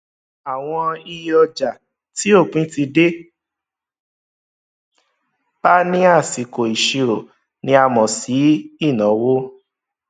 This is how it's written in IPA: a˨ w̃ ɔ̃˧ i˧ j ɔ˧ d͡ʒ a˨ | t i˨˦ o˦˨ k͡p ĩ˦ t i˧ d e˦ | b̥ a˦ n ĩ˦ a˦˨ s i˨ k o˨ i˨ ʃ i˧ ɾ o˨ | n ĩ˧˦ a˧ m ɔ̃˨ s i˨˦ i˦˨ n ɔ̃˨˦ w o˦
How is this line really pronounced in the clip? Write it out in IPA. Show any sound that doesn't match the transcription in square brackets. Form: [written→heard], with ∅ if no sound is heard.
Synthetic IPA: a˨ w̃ ɔ̃˧ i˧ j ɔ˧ d͡ʒ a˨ | t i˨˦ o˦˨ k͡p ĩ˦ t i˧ d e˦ | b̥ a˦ n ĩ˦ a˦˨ s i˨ k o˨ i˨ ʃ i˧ ɾ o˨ | n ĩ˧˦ a˧ m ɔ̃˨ s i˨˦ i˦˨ n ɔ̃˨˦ w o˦